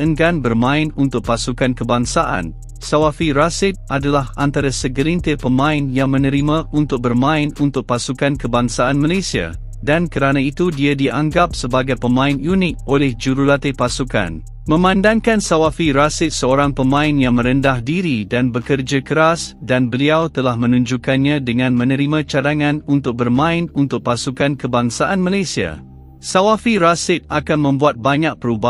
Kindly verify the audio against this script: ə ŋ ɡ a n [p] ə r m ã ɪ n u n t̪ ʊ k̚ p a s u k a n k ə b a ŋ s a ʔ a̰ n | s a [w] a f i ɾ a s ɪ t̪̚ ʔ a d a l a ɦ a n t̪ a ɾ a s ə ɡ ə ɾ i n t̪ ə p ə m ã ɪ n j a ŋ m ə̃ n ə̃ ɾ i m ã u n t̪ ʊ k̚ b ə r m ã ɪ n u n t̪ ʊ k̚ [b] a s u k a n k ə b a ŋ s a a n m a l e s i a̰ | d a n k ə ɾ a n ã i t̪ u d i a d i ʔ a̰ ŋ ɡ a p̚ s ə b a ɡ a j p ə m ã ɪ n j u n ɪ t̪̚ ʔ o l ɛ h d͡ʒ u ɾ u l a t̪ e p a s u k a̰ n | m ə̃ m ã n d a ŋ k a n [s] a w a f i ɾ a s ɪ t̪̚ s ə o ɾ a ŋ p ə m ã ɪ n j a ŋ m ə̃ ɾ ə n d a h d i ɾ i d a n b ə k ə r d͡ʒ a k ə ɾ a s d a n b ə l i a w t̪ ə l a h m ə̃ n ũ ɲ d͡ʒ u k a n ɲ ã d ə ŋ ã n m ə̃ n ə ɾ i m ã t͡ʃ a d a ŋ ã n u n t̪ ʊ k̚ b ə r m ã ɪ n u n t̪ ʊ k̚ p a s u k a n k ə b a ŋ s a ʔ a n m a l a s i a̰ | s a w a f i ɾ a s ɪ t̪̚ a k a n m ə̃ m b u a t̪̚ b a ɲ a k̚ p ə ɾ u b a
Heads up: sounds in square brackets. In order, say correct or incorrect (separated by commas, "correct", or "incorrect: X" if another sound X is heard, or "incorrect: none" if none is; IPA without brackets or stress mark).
incorrect: b, correct, incorrect: p, correct